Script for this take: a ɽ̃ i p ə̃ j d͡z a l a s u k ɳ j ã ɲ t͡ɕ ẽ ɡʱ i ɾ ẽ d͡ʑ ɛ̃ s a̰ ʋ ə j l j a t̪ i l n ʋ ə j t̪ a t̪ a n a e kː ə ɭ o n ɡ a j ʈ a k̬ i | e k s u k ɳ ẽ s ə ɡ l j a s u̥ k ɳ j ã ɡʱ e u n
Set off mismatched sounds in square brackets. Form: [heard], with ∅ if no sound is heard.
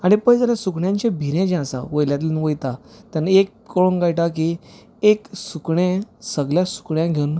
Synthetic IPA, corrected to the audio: a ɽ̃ i p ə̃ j d͡z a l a s u k ɳ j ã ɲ t͡ɕ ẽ [bʱ] i ɾ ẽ d͡ʑ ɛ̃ s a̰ ʋ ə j l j a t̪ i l n ʋ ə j t̪ a t̪ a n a e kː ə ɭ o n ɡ a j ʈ a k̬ i | e k s u k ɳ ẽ s ə ɡ l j a s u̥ k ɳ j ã ɡʱ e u n